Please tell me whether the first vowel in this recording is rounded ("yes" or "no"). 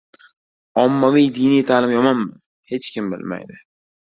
yes